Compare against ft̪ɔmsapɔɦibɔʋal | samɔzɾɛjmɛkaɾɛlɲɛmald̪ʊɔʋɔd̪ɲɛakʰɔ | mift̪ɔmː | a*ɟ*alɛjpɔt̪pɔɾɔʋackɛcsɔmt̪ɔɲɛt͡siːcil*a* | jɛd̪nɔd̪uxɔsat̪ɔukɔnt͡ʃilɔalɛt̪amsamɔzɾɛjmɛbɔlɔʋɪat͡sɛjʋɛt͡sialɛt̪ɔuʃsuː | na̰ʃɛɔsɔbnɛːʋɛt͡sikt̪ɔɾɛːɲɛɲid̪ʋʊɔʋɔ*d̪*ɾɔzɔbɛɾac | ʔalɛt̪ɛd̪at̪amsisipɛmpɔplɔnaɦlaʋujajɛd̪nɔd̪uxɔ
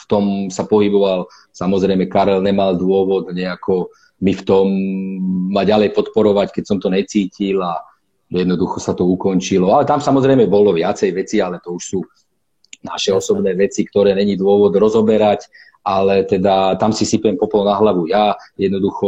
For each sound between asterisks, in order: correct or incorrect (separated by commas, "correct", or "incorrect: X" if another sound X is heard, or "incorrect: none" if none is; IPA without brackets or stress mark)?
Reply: correct, correct, correct